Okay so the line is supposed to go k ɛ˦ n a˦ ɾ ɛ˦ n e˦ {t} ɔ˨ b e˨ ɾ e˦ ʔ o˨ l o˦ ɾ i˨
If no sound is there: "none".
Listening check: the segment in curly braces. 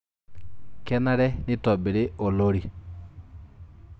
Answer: t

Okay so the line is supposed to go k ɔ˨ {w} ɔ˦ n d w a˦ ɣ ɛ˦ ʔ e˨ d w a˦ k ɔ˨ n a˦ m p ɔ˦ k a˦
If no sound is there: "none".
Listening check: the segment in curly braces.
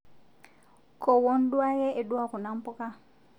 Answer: w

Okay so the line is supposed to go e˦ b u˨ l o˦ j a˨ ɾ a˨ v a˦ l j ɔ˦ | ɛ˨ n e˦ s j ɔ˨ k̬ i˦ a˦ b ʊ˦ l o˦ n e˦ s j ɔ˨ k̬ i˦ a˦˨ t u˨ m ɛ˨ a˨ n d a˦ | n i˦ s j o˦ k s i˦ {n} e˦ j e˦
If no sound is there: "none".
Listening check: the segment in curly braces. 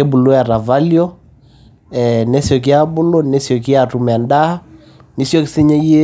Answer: ɲ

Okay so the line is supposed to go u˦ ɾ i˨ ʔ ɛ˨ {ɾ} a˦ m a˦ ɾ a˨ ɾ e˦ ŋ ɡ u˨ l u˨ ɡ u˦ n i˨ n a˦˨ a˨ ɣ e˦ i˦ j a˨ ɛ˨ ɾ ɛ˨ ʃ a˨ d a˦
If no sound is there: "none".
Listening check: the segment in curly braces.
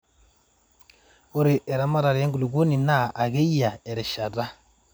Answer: ɾ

